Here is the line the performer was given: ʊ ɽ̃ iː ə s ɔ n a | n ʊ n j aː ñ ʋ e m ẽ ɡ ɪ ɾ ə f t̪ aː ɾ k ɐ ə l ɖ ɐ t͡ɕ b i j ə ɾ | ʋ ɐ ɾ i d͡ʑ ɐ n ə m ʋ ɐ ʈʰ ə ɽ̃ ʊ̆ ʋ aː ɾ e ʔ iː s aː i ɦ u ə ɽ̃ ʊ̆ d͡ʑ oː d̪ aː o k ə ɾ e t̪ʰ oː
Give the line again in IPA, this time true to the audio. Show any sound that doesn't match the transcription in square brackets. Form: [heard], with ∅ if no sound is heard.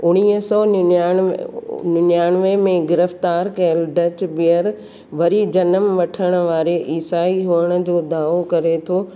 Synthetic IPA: ʊ ɽ̃ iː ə s ɔ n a | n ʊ n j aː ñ ʋ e m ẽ ɡ ɪ ɾ ə f t̪ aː ɾ k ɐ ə l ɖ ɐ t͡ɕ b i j ə ɾ | ʋ ɐ ɾ i d͡ʑ ɐ n ə m ʋ ɐ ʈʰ ə ɽ̃ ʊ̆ ʋ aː ɾ e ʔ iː s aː i ɦ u ə ɽ̃ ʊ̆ d͡ʑ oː d̪ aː o k [ɐ] ɾ e t̪ʰ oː

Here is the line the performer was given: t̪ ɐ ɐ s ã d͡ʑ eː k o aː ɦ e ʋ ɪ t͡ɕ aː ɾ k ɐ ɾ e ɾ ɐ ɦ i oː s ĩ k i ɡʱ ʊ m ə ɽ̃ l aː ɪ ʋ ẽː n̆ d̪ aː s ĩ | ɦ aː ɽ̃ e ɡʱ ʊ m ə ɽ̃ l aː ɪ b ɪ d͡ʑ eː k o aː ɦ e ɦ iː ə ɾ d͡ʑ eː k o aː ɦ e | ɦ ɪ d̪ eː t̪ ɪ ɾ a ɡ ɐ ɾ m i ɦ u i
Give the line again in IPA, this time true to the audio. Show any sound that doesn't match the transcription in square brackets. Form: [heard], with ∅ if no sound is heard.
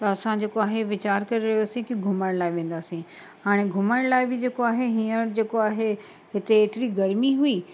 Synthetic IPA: t̪ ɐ ɐ s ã d͡ʑ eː k o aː ɦ e ʋ ɪ t͡ɕ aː ɾ k ɐ ɾ e ɾ ɐ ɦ [j] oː s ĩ k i ɡʱ ʊ m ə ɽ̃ l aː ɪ ʋ ẽː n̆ d̪ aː s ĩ | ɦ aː ɽ̃ e ɡʱ ʊ m ə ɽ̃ l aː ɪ b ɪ d͡ʑ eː k o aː ɦ e ɦ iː ə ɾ d͡ʑ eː k o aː ɦ e | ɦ ɪ [t̪] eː t̪ ɪ ɾ [i] ɡ ɐ ɾ m i ɦ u i

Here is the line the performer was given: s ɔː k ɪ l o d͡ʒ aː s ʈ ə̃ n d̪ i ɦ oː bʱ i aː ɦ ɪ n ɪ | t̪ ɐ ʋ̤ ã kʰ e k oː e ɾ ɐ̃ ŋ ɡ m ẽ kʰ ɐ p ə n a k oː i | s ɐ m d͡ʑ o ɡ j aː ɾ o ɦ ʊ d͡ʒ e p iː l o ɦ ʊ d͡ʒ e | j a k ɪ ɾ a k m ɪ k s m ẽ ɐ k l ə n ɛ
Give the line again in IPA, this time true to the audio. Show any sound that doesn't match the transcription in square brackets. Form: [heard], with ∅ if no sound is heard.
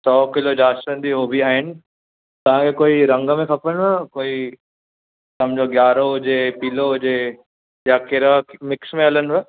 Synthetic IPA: s ɔː k ɪ l o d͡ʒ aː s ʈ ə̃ n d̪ i ɦ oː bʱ i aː ɦ ɪ n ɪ | t̪ ɐ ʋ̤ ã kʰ e k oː [i] ɾ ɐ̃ ŋ ɡ m ẽ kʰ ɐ p ə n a k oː i | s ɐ m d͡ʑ o ɡ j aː ɾ o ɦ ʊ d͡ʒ e p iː l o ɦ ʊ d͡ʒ e | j a k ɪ ɾ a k m ɪ k s m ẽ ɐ [∅] l ə n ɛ

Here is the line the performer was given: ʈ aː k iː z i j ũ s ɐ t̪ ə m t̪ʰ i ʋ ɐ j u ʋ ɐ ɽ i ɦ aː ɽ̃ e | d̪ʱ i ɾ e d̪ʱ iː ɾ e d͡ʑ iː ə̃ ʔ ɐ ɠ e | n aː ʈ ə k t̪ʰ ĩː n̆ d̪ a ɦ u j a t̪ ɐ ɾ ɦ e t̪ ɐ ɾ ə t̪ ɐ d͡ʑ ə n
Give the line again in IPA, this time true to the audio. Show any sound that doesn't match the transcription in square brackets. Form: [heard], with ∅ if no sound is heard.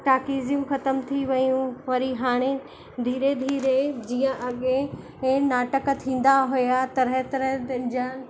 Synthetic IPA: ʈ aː k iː z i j ũ [x] ɐ t̪ ə m t̪ʰ i ʋ ɐ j [ũ] ʋ ɐ [ɾ] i ɦ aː ɽ̃ e | d̪ʱ [iː] ɾ e d̪ʱ iː ɾ e d͡ʑ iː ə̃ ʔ ɐ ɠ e | n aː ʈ ə k t̪ʰ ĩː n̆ d̪ a ɦ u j a t̪ ɐ ɾ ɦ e t̪ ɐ ɾ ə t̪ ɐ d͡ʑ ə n

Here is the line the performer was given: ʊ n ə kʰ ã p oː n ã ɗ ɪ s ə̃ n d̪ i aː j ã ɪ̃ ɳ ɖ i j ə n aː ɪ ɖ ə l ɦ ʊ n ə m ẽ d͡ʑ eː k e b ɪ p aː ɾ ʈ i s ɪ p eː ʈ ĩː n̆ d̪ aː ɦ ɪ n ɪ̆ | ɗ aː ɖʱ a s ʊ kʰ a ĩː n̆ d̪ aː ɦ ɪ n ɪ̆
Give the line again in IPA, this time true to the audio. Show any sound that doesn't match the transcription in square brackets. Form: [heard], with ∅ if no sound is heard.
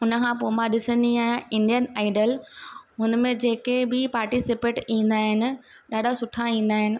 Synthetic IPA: ʊ n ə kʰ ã p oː [m] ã ɗ ɪ s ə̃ n d̪ i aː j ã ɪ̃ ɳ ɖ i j ə n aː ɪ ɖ ə l ɦ ʊ n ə m ẽ d͡ʑ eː k e b ɪ p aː ɾ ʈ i s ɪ p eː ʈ ĩː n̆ d̪ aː ɦ ɪ n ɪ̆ | ɗ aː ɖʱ a s ʊ [ʈʰ] a ĩː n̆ d̪ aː ɦ ɪ n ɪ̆

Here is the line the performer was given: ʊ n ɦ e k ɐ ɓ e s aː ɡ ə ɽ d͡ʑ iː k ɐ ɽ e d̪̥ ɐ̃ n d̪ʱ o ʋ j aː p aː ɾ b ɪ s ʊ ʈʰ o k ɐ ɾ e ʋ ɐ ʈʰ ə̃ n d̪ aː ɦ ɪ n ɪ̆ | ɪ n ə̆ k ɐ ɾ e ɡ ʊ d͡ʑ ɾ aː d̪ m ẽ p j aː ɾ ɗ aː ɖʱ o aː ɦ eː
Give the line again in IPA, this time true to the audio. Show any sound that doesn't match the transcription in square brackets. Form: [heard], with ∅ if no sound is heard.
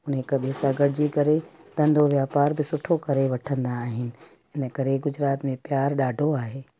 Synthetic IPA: ʊ n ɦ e k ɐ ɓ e s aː ɡ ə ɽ d͡ʑ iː k ɐ [ɾ] e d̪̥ ɐ̃ n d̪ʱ o ʋ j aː p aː ɾ b ɪ s ʊ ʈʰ o k ɐ ɾ e ʋ ɐ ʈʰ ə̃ n d̪ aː ɦ ɪ n ɪ̆ | ɪ n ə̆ k ɐ ɾ e ɡ ʊ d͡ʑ ɾ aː [t̪] m ẽ p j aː ɾ ɗ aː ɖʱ o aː ɦ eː

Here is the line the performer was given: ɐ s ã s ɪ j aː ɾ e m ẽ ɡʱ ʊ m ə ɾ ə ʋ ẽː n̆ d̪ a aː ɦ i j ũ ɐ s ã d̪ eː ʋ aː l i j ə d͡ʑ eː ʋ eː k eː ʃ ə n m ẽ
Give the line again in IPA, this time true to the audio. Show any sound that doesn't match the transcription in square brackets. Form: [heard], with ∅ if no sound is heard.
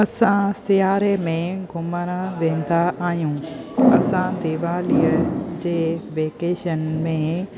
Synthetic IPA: ɐ s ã s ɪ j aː ɾ e m ẽ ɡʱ ʊ m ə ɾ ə ʋ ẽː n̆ d̪ a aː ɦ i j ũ ɐ s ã d̪ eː ʋ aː l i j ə d͡ʑ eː ʋ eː k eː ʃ ə n m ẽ

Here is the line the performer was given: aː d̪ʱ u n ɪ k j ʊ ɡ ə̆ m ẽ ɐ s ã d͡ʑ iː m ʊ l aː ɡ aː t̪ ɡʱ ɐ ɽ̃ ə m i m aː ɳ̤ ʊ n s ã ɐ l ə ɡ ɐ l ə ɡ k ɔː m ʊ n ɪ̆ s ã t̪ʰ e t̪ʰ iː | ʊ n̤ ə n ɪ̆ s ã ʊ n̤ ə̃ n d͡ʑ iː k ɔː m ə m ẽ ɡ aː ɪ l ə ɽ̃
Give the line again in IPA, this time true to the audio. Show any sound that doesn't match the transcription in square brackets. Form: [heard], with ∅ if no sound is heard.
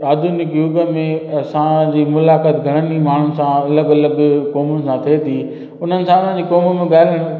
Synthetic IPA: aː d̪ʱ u n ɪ k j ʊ ɡ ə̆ m ẽ ɐ s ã d͡ʑ iː m ʊ l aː [k] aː t̪ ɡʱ ɐ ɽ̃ ə [n] i m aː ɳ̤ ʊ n s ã ɐ l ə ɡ ɐ l ə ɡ k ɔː m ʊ n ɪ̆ s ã t̪ʰ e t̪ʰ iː | ʊ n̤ ə n ɪ̆ s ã ʊ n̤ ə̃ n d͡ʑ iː k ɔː m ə m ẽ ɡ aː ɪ l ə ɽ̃

